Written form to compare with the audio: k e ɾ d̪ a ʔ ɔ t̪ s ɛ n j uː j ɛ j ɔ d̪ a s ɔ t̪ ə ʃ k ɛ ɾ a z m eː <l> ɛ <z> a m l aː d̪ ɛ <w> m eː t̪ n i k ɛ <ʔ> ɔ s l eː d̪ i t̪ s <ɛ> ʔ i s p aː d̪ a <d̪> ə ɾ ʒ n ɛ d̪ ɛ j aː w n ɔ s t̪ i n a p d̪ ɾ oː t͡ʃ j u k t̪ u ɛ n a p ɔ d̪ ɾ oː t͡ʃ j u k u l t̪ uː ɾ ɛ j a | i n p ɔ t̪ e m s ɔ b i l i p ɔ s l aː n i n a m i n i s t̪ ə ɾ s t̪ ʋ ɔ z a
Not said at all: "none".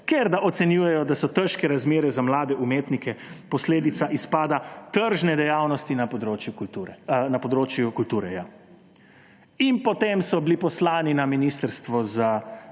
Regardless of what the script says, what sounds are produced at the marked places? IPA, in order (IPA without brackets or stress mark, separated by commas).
ɾ, z, u, p, a, t̪